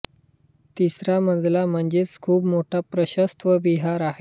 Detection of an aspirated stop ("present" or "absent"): present